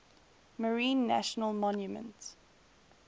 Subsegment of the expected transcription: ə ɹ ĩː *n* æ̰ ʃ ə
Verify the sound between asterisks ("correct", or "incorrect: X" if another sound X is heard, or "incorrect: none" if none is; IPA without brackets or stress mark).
incorrect: nː